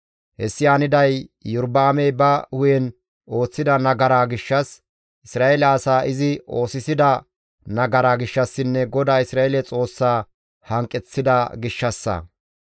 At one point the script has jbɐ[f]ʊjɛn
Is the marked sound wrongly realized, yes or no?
yes